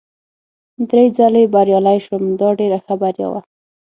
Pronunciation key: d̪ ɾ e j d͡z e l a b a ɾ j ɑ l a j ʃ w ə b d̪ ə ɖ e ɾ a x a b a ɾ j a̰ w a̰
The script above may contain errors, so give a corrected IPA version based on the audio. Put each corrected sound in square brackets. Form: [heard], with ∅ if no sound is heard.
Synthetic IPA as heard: d̪ ɾ e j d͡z [a] l [e] b a ɾ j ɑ l a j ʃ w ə [m] d̪ [ɑ] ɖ e ɾ a x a b a ɾ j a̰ w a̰